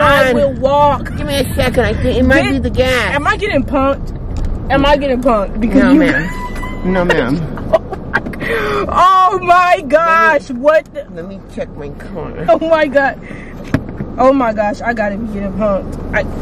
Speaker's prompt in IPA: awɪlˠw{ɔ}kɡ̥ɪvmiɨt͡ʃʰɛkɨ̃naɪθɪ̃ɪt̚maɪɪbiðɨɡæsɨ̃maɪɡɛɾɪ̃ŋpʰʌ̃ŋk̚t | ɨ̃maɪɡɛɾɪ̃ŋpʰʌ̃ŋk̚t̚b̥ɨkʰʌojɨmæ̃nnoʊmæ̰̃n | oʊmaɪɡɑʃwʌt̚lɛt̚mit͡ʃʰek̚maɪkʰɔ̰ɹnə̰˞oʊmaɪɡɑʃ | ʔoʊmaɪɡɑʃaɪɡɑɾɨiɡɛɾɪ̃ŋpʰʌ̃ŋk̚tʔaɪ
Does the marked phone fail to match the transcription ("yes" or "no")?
no